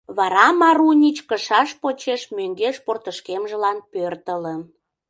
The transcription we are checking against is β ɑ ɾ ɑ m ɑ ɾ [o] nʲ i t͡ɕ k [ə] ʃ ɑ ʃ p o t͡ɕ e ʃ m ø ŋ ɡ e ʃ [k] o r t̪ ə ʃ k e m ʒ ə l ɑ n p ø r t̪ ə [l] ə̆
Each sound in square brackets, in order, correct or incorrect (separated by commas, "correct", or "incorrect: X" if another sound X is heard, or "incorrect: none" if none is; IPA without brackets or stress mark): incorrect: u, correct, incorrect: p, correct